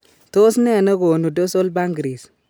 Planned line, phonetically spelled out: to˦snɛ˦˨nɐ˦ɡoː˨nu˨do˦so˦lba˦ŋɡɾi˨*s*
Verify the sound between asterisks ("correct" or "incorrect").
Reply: correct